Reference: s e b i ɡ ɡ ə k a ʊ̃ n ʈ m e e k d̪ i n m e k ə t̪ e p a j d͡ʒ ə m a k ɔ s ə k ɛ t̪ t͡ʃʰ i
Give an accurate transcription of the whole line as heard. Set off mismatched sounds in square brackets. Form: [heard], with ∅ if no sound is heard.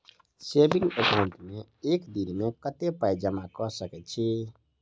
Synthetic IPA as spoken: s e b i [ŋ] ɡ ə k a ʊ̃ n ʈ m e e k d̪ i n m e k ə t̪ e p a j d͡ʒ ə m a k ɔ s ə k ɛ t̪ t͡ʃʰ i

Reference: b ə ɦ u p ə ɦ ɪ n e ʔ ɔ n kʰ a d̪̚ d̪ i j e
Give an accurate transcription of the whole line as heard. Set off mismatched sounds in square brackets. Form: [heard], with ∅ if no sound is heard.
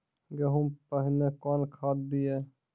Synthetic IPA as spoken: [ɡ] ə ɦ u p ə ɦ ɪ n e [k] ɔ n kʰ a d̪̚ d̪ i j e

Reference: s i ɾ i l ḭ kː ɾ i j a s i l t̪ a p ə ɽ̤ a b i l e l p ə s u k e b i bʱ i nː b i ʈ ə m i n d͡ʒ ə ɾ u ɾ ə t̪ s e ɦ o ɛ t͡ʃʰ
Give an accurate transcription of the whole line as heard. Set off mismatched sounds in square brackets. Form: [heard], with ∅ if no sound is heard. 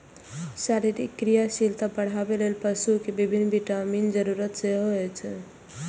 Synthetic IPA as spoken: s [a] ɾ i [ɾ] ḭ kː ɾ i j a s i l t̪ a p ə ɽ̤ a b [e] l e l p ə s u k e b i bʱ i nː b i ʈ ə m i n d͡ʒ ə ɾ u ɾ ə t̪ s e ɦ o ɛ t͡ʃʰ

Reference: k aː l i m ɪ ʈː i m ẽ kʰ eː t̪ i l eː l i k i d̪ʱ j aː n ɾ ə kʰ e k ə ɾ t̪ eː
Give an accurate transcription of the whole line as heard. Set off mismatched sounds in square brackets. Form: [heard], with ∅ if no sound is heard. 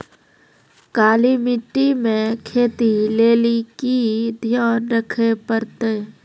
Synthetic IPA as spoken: k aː l i m ɪ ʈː i m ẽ kʰ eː t̪ i l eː l i k i d̪ʱ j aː n ɾ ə kʰ e [p] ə ɾ t̪ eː

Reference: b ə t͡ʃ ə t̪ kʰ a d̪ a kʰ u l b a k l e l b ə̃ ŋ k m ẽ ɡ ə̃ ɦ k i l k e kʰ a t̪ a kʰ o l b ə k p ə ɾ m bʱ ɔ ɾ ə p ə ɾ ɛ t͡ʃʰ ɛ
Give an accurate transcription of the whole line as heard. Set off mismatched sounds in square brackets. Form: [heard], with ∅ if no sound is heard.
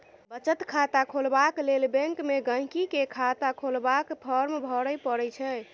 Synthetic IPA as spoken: b ə t͡ʃ ə t̪ kʰ a [t̪] a kʰ [o] l b a k l e l b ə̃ ŋ k m [e] ɡ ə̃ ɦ k i [∅] k e kʰ a t̪ a kʰ o l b [a] k [pʰ] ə ɾ m bʱ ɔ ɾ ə p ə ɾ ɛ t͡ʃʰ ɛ

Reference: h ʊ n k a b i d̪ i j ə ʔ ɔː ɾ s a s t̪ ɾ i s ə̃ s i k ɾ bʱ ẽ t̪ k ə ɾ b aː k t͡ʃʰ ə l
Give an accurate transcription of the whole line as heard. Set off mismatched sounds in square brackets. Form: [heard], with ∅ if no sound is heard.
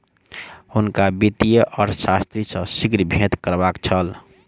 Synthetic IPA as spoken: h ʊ n k a b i [t̪] i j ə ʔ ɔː ɾ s a s t̪ ɾ i s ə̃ s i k ɾ bʱ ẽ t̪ k ə ɾ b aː k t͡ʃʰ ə l

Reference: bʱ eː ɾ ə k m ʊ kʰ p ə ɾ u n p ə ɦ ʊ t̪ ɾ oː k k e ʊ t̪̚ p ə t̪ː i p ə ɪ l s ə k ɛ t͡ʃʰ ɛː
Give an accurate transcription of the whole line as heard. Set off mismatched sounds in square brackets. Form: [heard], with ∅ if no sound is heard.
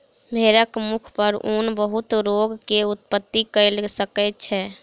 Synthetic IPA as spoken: bʱ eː ɾ ə k m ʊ kʰ p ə ɾ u n [b] ə ɦ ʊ t̪ ɾ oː [ɡ] k e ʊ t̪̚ p ə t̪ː i [k] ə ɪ l s ə k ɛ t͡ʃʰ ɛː

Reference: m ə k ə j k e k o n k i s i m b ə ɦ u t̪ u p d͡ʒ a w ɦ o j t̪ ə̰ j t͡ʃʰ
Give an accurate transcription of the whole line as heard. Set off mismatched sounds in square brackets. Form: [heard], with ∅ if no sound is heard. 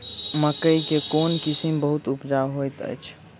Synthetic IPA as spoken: m ə k ə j k e k o n k i s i m b ə ɦ u t̪ u p d͡ʒ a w ɦ o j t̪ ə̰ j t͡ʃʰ

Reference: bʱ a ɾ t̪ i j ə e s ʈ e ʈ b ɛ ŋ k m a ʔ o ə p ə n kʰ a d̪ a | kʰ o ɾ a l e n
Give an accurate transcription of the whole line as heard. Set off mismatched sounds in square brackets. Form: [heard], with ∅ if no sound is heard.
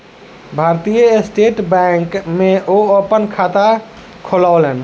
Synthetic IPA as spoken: bʱ a ɾ t̪ i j ə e s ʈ e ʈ b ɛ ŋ k m [e] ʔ o ə p ə n kʰ a [t̪] a | kʰ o [l] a l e n

